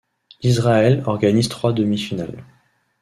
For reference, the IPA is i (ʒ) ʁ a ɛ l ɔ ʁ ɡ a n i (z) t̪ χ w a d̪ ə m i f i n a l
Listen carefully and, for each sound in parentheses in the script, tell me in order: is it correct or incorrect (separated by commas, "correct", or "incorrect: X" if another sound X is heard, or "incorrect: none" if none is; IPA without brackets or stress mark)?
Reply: incorrect: z, correct